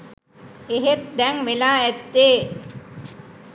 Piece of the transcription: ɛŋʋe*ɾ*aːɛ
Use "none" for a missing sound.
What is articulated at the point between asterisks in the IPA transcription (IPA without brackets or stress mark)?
l